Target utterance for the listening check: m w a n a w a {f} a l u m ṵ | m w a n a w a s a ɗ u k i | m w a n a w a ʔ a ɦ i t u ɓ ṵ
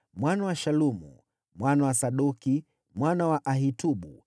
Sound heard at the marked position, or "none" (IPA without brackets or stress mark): ʃ